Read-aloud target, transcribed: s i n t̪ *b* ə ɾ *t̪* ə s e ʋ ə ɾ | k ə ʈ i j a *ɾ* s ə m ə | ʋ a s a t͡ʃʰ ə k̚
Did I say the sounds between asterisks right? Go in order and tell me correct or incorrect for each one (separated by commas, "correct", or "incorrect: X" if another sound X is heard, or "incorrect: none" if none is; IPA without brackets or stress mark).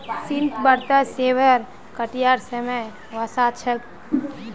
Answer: correct, correct, correct